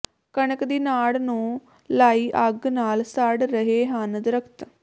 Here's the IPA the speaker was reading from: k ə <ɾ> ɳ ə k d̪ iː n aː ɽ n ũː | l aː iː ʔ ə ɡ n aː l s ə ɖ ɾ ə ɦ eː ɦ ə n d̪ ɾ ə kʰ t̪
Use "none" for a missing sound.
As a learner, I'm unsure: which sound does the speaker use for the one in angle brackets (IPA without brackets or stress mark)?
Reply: none